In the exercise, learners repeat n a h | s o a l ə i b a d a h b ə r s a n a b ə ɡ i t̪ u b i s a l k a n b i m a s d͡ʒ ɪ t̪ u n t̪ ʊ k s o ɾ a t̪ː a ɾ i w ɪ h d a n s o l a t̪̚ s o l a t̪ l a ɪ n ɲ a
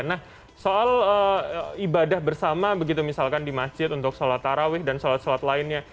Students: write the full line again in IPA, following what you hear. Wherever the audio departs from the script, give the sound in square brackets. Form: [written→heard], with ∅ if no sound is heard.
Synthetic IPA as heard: n a h | s o a l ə i b a d a h b ə r s a [n→m] a b ə ɡ i t̪ u [b→m] i s a l k a n [b→d] i m a s d͡ʒ ɪ t̪ u n t̪ ʊ k s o [ɾ→l] a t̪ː a ɾ [i→a] w ɪ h d a n s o l a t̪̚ s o l a t̪ l a ɪ n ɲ a